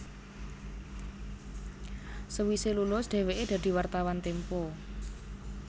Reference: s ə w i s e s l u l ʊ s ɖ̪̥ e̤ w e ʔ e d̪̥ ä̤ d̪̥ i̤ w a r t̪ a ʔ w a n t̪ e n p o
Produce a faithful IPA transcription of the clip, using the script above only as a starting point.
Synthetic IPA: s ə w i s e l u l ʊ s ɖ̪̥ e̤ w e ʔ e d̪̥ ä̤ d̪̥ i̤ w a r t̪ a w a n t̪ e m p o